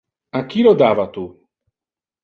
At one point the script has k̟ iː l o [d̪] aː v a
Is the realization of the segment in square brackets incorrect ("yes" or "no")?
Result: no